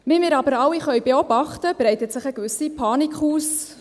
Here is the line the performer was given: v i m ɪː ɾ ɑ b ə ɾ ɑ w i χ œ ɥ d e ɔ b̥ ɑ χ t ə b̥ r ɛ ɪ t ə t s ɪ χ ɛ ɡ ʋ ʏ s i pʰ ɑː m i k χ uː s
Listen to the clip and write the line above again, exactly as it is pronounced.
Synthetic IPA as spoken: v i m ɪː ɾ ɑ b ə ɾ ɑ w i χ œ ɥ b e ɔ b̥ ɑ χ t ə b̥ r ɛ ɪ t ə t s ɪ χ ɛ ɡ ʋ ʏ s i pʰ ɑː n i k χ uː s